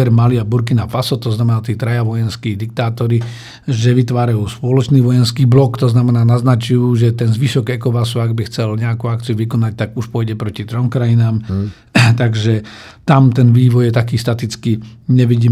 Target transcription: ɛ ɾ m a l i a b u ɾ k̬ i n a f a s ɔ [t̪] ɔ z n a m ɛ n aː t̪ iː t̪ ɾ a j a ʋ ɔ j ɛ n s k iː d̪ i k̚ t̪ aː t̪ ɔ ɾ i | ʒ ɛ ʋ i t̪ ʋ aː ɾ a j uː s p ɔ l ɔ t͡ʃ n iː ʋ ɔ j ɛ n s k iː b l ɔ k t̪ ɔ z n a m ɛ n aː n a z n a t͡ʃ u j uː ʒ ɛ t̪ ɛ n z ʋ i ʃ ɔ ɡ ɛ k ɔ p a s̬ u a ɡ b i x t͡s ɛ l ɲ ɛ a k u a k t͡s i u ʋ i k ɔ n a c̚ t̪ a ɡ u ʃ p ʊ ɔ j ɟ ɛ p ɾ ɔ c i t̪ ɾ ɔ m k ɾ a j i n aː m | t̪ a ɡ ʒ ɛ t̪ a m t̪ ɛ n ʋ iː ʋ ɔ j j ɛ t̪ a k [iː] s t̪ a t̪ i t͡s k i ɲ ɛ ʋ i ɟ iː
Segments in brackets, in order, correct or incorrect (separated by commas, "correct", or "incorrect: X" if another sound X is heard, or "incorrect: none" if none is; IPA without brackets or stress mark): correct, correct